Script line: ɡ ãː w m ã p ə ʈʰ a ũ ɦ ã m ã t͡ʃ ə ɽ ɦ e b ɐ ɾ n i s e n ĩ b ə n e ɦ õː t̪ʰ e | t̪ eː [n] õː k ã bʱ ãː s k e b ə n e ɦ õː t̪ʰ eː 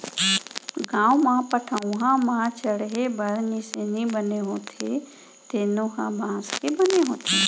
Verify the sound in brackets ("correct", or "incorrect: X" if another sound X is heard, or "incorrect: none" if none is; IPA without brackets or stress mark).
correct